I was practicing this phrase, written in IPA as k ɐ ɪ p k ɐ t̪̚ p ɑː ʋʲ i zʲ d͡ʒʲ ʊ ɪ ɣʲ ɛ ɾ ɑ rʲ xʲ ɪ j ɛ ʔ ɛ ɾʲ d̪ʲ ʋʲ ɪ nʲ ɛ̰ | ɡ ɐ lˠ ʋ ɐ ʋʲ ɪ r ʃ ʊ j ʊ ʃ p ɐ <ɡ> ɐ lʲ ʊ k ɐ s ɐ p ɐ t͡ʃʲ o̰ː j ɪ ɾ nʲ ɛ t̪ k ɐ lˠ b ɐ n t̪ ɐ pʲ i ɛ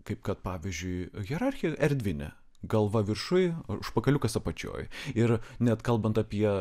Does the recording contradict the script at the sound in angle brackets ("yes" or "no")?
yes